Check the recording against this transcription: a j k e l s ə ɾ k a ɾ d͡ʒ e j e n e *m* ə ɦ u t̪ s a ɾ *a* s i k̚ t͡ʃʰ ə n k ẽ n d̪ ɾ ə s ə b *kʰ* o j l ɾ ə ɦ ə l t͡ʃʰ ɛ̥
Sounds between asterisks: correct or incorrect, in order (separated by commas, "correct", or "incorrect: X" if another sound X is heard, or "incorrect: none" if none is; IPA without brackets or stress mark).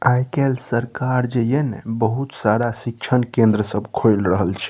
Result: incorrect: b, correct, correct